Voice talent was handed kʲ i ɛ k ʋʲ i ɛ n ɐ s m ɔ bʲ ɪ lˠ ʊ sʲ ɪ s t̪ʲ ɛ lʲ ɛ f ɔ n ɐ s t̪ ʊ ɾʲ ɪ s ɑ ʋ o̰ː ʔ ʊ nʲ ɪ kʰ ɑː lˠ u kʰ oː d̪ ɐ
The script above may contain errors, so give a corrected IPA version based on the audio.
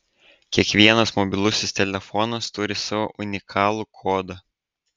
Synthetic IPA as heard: kʲ i ɛ k ʋʲ i ɛ n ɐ s m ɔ bʲ ɪ lˠ ʊ sʲ ɪ s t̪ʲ ɛ lʲ ɛ f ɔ n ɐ s t̪ ʊ ɾʲ ɪ s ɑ ʋ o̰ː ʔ ʊ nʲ ɪ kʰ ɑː lˠ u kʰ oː d̪ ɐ